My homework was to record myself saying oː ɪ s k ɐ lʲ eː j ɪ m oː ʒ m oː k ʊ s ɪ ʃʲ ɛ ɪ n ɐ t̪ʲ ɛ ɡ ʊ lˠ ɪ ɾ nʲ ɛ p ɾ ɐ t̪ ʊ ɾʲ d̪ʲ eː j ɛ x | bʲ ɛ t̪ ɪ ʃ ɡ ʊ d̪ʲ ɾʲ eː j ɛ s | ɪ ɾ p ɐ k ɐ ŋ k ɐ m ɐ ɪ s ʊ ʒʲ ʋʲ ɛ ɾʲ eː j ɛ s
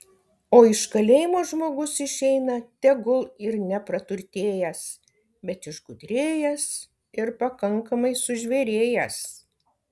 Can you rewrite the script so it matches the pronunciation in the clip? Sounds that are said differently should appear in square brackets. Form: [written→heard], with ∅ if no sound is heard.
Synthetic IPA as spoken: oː ɪ [s→ʃ] k ɐ lʲ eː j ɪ m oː ʒ m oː [k→ɡ] ʊ s ɪ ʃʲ ɛ ɪ n ɐ t̪ʲ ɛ ɡ ʊ lˠ ɪ ɾ nʲ ɛ p ɾ ɐ t̪ ʊ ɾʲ [d̪ʲ→t̪ʲ] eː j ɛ [x→s] | bʲ ɛ t̪ ɪ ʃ ɡ ʊ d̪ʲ ɾʲ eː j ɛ s | ɪ ɾ p ɐ k ɐ ŋ k ɐ m ɐ ɪ s ʊ ʒʲ ʋʲ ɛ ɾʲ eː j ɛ s